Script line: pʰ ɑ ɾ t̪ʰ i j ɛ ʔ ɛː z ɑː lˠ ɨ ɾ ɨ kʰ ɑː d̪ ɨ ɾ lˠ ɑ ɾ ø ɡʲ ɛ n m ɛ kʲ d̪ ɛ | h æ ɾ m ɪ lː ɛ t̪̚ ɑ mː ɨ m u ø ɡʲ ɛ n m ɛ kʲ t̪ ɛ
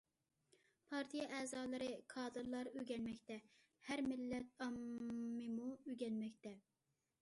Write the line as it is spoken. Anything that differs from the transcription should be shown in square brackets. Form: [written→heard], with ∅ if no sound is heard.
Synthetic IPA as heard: pʰ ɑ ɾ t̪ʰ i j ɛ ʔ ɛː z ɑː lˠ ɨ ɾ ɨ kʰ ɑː d̪ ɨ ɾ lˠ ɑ ɾ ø ɡʲ ɛ n m ɛ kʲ [d̪→t̪] ɛ | h æ ɾ m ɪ lː ɛ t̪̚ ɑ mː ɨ m u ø ɡʲ ɛ n m ɛ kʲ t̪ ɛ